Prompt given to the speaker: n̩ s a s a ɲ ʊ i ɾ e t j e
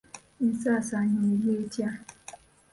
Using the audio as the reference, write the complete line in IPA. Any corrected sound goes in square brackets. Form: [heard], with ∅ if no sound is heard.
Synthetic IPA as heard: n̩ s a s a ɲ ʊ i [l] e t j [a]